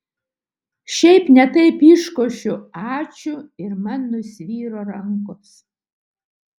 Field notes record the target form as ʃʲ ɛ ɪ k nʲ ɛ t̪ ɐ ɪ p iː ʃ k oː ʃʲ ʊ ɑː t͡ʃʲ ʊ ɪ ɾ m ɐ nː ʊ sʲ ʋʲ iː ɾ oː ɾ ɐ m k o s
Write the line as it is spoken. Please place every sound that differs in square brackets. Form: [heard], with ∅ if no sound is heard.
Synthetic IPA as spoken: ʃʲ ɛ ɪ [p] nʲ ɛ t̪ ɐ ɪ p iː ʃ k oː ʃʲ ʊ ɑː t͡ʃʲ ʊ ɪ ɾ m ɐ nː ʊ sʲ ʋʲ iː ɾ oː ɾ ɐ [ŋ] k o s